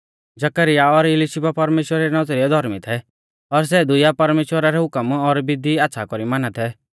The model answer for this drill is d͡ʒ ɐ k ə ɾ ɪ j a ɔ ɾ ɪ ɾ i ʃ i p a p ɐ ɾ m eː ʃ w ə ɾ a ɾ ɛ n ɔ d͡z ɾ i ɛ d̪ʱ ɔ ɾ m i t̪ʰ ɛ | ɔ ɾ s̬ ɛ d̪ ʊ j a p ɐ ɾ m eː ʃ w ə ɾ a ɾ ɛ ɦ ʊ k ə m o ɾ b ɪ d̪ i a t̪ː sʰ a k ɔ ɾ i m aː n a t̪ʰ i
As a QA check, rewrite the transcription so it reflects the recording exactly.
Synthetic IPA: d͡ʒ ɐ k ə ɾ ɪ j a ɔ ɾ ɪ l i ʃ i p a p ɐ ɾ m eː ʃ w ə ɾ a ɾ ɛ n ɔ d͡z ɾ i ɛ d̪ʱ ɔ ɾ m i t̪ʰ ɛ | ɔ ɾ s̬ ɛ d̪ ʊ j a p ɐ ɾ m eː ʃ w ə ɾ a ɾ ɛ ɦ ʊ k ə m ɔ ɾ b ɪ d̪ i a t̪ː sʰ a k ɔ ɾ i m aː n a t̪ʰ ɛ